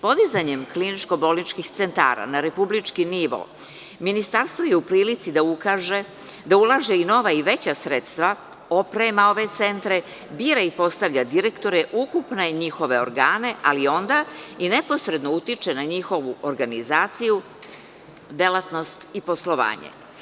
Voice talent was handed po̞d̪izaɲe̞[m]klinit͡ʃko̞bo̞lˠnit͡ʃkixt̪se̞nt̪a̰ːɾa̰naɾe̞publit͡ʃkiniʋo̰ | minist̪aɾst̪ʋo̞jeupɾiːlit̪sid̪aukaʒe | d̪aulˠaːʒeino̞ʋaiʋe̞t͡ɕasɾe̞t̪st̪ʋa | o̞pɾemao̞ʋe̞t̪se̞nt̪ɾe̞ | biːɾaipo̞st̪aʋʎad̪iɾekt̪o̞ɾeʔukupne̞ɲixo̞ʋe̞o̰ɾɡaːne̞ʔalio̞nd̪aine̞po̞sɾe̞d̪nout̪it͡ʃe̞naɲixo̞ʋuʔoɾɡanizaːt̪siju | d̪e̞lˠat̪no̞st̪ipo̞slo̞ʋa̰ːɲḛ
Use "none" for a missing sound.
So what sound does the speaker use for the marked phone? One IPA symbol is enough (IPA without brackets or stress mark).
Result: m